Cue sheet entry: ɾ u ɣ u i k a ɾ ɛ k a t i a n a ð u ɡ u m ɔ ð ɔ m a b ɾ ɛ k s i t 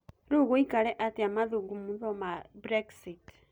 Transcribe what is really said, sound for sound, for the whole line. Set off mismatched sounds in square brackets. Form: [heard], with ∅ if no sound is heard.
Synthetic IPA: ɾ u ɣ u i k a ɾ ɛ [ʔ] a t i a [m] a ð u ɡ u m [u] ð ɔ m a b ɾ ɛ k s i t